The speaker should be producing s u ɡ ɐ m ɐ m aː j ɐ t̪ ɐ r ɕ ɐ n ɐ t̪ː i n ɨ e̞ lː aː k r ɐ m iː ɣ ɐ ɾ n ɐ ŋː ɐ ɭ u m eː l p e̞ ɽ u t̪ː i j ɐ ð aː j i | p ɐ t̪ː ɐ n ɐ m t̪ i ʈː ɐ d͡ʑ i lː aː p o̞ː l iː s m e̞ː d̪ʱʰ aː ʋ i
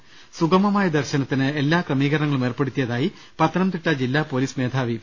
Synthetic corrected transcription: s u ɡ ɐ m ɐ m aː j ɐ d̪ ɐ r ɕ ɐ n ɐ t̪ː i n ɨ e̞ lː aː k r ɐ m iː ɣ ɐ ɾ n ɐ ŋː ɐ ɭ u m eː r p e̞ ɽ u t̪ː i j ɐ ð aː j i | p ɐ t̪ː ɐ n ɐ m t̪ i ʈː ɐ d͡ʑ i lː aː p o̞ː l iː s m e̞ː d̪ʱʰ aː ʋ i